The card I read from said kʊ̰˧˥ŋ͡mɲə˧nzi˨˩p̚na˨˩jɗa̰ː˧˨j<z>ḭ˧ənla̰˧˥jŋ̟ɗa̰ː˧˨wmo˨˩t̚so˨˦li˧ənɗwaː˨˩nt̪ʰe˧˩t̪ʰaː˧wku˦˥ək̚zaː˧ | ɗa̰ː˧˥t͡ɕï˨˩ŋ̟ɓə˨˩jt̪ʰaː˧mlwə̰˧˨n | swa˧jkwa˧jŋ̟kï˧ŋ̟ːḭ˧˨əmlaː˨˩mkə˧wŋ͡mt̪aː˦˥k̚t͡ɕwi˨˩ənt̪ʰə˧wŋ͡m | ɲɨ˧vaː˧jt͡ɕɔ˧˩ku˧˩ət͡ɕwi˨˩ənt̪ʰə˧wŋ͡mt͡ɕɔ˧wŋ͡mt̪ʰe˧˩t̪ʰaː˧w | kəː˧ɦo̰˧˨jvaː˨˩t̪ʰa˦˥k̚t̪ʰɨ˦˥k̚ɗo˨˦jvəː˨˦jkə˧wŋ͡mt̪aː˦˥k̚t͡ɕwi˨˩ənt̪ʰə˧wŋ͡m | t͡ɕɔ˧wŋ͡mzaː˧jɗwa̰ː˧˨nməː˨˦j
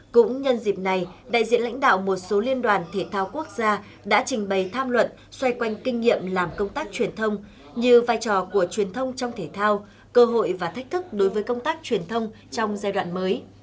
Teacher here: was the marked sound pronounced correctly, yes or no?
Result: yes